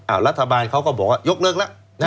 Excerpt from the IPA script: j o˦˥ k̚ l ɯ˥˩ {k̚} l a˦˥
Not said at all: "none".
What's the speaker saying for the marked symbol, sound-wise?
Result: k̚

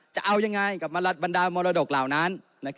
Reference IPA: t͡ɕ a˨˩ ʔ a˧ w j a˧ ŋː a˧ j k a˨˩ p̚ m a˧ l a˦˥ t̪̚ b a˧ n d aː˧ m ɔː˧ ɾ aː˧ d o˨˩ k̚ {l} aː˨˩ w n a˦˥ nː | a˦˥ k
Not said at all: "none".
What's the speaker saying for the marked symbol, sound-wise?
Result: l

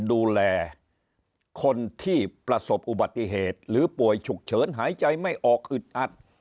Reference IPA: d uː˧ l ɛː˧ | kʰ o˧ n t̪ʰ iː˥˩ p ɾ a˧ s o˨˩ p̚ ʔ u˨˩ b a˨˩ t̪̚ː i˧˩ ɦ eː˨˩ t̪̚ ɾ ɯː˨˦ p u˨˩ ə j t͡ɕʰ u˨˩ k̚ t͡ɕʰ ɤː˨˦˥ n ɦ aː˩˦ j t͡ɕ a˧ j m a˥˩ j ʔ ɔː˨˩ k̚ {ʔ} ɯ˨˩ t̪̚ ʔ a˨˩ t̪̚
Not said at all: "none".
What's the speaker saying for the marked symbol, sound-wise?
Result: ʔ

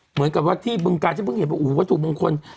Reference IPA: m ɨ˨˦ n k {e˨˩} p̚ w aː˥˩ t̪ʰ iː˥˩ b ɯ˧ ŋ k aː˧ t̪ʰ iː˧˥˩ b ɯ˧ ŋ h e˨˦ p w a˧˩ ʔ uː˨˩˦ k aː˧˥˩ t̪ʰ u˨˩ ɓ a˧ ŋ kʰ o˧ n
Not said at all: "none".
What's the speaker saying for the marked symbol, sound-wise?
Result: a˨˩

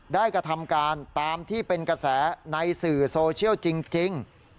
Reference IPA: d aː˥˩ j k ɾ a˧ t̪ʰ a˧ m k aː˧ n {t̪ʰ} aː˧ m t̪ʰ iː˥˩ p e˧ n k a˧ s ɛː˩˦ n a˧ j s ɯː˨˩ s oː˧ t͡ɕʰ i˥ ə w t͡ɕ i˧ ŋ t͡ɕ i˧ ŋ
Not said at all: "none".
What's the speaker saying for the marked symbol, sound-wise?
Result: t̪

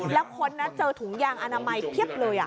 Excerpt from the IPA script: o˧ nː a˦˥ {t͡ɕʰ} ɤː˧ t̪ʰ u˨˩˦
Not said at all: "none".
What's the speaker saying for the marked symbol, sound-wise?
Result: t͡ɕ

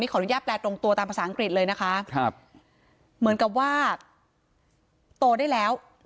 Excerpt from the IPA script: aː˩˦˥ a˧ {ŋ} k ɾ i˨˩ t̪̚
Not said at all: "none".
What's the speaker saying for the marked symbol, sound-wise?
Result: ŋ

